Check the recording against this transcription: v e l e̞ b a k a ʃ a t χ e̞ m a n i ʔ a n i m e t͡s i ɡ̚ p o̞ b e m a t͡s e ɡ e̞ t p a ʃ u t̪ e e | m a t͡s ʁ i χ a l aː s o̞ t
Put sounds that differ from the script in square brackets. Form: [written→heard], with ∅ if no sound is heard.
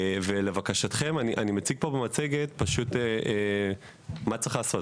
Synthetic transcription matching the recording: v e l e̞ [b→v] a k a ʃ a t χ e̞ m a n i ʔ a n i m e t͡s i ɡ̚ p o̞ b e m a t͡s e ɡ e̞ t p a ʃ u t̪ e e | m a t͡s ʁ i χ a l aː s o̞ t